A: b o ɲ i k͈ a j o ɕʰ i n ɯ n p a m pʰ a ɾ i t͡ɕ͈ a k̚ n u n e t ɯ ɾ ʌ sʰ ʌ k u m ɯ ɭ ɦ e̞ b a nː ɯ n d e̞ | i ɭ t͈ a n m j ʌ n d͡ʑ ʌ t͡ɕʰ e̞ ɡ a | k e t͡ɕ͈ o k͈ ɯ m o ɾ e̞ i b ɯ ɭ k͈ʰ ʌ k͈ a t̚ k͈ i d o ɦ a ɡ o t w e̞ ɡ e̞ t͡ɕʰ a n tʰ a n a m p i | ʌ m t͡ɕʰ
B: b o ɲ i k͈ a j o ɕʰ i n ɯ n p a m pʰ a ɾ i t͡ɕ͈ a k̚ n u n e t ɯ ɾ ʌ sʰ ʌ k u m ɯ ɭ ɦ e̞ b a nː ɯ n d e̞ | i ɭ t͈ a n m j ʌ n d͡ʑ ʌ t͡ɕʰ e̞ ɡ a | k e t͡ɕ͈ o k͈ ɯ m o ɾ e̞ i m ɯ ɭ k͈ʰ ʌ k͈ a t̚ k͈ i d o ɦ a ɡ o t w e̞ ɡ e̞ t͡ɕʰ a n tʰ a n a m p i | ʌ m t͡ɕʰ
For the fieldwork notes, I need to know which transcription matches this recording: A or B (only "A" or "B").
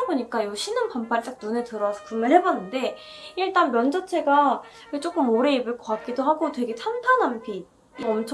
A